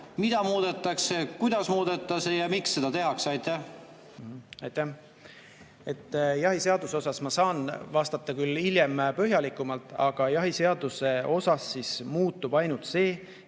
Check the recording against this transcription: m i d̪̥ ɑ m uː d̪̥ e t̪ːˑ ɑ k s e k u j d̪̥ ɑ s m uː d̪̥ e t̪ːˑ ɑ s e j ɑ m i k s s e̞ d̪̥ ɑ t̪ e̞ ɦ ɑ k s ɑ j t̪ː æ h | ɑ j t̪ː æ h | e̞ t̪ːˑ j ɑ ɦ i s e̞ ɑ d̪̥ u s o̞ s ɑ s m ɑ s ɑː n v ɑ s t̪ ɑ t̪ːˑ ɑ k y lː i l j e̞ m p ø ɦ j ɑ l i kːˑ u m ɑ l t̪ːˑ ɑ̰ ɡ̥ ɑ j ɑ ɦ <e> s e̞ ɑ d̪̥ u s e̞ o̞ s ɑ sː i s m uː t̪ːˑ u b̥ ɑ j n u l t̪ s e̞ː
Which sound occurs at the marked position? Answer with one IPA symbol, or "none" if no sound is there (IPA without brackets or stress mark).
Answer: i